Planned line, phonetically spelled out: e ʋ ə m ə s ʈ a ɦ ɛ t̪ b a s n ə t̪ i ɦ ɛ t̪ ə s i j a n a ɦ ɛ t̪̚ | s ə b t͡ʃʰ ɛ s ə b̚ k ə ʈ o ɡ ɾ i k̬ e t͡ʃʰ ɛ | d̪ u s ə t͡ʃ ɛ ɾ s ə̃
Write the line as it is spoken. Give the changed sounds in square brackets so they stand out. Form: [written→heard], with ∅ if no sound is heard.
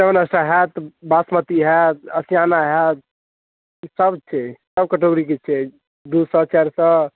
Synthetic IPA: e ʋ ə [m→n] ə s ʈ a ɦ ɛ t̪ b a s [n→m] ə t̪ i ɦ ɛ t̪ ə s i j a n a ɦ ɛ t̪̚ | s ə b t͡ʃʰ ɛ s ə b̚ k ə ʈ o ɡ ɾ i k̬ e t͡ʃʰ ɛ | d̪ u s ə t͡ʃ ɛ ɾ s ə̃

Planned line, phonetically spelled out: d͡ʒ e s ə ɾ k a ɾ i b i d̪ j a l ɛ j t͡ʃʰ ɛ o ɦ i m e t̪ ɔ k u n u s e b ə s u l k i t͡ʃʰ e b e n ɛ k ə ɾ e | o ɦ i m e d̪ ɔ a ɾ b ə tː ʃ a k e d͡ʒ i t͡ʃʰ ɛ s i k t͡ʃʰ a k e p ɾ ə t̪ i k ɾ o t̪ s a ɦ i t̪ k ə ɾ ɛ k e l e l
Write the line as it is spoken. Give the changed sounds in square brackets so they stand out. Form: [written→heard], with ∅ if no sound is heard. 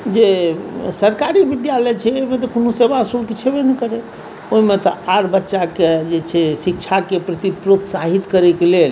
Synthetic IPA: d͡ʒ e s ə ɾ k a ɾ i b i d̪ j a l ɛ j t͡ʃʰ ɛ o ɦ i m e t̪ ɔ k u n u s e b [ə→a] s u l k i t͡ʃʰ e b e n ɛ k ə ɾ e | o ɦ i m e [d̪→t̪] ɔ a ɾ b ə tː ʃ a k e d͡ʒ [i→e] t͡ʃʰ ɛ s i k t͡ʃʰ a k e p ɾ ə t̪ i [k→p] ɾ o t̪ s a ɦ i t̪ k ə ɾ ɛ k e l e l

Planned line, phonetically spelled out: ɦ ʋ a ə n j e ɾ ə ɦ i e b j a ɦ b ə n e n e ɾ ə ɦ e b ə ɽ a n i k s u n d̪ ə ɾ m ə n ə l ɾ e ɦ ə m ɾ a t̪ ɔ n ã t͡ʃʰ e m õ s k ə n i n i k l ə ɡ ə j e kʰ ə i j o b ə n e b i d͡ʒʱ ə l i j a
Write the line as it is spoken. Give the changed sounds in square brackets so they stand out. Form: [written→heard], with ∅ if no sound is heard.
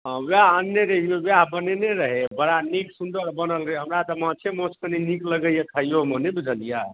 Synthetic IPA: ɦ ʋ a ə n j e ɾ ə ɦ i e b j a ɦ b ə n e n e ɾ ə ɦ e b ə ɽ a n i k s u n d̪ ə ɾ [m→b] ə n ə l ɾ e ɦ ə m ɾ a t̪ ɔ [n→m] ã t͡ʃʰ e m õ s k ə n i n i k l ə ɡ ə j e kʰ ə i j o [b→m] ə n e b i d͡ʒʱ ə l i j a

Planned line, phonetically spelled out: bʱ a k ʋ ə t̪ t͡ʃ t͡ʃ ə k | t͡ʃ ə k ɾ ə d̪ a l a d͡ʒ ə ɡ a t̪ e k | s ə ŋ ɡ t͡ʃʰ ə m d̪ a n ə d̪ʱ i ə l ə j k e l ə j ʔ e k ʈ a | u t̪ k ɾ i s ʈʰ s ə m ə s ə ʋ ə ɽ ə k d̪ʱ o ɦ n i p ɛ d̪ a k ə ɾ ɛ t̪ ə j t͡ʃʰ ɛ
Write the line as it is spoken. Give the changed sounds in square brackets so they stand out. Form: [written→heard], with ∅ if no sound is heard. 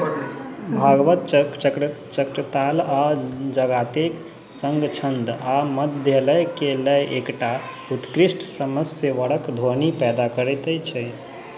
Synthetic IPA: bʱ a [k→ɡ] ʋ ə t̪ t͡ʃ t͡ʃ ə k | t͡ʃ ə k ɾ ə [d̪→t̪] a l a d͡ʒ ə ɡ a t̪ e k | s ə ŋ ɡ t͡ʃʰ ə [m→n] d̪ a [n→m] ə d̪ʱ [i→j] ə l ə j k e l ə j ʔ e k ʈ a | u t̪ k ɾ i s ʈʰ s ə m ə s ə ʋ ə ɽ ə k d̪ʱ o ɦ n i p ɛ d̪ a k ə ɾ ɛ t̪ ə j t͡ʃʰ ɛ

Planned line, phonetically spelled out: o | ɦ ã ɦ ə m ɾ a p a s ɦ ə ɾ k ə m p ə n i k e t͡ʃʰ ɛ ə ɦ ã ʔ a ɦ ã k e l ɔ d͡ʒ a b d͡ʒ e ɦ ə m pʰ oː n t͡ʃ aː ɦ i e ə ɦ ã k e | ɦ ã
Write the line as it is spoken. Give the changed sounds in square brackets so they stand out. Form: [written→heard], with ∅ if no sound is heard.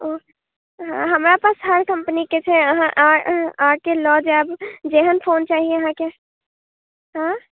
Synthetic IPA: o | ɦ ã ɦ ə m ɾ a p a s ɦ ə ɾ k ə m p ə n i k e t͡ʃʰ ɛ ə ɦ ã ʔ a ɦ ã k e l ɔ d͡ʒ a b d͡ʒ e ɦ ə [m→n] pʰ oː n t͡ʃ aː ɦ i e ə ɦ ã k e | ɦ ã

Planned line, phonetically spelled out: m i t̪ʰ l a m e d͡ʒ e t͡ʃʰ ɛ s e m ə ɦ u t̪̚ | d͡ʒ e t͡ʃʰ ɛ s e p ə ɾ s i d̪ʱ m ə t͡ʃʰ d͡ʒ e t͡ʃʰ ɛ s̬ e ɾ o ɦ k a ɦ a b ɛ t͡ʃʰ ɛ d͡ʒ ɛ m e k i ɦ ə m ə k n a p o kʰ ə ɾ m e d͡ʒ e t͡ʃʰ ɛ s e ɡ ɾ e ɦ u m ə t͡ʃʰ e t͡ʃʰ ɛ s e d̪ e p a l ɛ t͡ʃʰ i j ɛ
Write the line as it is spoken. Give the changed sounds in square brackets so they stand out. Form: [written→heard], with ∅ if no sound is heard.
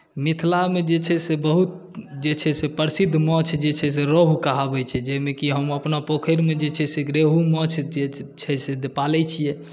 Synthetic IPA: m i t̪ʰ l a m e d͡ʒ e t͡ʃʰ ɛ s e [m→b] ə ɦ u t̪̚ | d͡ʒ e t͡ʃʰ ɛ s e p ə ɾ s i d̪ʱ m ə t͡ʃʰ d͡ʒ e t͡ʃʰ ɛ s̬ e ɾ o ɦ k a ɦ a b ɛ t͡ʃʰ ɛ d͡ʒ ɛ m e k i ɦ ə m ə [k→p] n a p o kʰ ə ɾ m e d͡ʒ e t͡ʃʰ ɛ s e ɡ ɾ e ɦ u m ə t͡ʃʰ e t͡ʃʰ ɛ s e d̪ e p a l ɛ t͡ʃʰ i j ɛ

